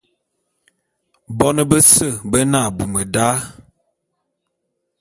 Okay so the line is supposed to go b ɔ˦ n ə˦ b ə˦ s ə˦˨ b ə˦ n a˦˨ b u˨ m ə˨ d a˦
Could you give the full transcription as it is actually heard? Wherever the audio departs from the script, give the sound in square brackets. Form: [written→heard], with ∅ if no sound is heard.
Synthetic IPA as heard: b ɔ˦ n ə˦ b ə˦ s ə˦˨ b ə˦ n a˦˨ b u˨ m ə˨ d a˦